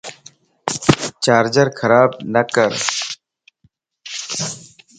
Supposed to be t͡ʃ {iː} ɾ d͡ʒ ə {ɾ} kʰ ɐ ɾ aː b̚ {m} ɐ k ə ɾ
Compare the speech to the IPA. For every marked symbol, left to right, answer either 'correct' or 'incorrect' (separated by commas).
incorrect, correct, incorrect